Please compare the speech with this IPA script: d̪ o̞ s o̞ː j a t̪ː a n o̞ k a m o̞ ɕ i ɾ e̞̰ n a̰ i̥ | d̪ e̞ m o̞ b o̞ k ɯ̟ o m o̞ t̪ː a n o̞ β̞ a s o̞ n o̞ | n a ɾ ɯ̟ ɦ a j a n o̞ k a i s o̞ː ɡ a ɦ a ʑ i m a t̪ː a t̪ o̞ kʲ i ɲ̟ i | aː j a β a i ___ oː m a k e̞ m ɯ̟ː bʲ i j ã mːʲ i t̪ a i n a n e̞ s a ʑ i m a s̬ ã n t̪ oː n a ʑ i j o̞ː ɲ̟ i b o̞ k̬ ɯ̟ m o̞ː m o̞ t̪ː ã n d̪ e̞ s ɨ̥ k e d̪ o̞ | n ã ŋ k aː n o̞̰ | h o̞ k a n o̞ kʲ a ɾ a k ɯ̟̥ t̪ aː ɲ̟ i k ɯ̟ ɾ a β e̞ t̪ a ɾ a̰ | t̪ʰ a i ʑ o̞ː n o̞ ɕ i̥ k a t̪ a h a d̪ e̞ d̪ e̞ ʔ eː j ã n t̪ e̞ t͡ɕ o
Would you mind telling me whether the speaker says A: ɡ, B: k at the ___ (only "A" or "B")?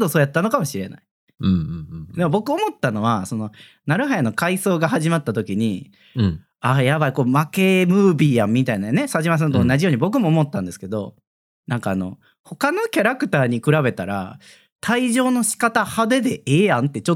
B